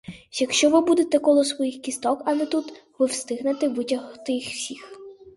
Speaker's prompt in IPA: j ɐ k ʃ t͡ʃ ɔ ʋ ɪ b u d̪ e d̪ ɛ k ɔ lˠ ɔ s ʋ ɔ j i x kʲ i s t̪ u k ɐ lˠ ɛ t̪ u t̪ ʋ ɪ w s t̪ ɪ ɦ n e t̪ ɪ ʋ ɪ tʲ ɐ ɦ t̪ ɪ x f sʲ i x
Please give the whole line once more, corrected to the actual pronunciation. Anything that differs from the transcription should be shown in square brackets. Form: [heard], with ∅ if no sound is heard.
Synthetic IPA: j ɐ k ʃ t͡ʃ ɔ ʋ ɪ b u d̪ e [t̪] ɛ k ɔ lˠ ɔ s ʋ ɔ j i x kʲ i s t̪ [ɔ] k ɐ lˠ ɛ t̪ u t̪ ʋ ɪ w s t̪ ɪ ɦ n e t̪ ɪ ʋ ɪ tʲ ɐ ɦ t̪ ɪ x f sʲ i x